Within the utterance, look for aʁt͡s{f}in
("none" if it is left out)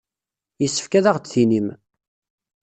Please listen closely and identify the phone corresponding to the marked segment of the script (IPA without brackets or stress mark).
θ